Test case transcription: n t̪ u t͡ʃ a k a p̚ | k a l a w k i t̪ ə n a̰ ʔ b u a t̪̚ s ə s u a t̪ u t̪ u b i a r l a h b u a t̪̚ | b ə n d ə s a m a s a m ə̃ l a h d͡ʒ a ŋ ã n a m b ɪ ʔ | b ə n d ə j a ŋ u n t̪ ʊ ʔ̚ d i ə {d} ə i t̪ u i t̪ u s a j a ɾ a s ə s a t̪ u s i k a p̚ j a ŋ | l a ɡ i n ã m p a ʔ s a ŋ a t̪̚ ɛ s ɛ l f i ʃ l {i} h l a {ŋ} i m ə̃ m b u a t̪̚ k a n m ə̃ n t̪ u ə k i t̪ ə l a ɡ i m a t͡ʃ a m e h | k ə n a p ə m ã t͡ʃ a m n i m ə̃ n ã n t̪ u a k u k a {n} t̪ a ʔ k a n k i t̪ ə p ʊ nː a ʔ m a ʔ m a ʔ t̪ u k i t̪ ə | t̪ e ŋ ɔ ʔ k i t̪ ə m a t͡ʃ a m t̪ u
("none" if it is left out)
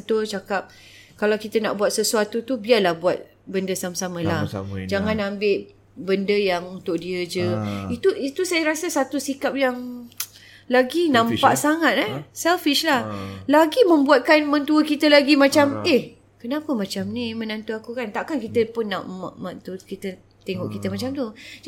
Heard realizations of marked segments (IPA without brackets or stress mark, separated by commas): d͡ʒ, a, ɡ, n